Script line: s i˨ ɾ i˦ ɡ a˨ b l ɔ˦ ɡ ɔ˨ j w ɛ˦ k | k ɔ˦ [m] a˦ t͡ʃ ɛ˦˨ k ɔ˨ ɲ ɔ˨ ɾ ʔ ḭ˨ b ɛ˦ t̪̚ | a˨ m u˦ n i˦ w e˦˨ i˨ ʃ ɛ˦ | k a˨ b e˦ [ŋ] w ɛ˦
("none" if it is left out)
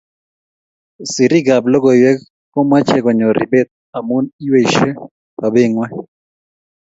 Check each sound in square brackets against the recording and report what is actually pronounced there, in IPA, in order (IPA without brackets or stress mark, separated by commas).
m, ŋ